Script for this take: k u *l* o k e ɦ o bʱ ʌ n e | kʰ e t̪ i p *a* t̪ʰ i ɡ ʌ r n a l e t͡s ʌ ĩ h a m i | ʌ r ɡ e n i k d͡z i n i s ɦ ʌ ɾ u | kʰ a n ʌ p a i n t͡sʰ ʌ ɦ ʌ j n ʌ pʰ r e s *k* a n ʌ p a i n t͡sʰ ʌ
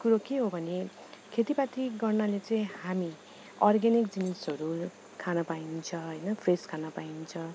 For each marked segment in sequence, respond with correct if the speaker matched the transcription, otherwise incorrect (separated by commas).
incorrect, correct, incorrect